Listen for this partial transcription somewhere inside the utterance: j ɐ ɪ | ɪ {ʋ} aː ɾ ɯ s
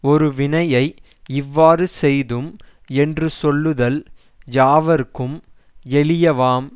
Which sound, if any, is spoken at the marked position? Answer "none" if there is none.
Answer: ʋː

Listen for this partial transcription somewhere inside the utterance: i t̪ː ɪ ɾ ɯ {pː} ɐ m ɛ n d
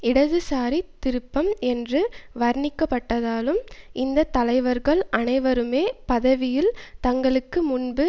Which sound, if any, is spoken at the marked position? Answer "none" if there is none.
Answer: pː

